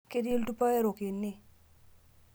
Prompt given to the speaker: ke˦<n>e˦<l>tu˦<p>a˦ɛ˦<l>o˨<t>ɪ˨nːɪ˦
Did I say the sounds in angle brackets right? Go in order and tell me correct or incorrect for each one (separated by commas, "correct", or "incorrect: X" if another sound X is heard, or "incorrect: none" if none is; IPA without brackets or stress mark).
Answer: incorrect: d, correct, correct, incorrect: ɾ, incorrect: k